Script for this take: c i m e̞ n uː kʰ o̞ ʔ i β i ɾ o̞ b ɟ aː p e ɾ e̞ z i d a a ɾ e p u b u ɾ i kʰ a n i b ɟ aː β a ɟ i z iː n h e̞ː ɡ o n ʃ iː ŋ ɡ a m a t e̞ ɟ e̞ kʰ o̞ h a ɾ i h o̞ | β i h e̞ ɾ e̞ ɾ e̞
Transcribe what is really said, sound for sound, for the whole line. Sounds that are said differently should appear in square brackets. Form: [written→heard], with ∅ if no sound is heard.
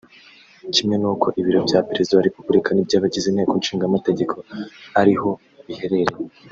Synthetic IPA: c i m e̞ n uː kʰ o̞ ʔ i β i ɾ o̞ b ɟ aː p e ɾ e̞ z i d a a ɾ e p u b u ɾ i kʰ a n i b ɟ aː β a ɟ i z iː n h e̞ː [ɡ→k] o n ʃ iː ŋ ɡ a m a t e̞ ɟ e̞ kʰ o̞ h a ɾ i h o̞ | β i h e̞ ɾ e̞ ɾ e̞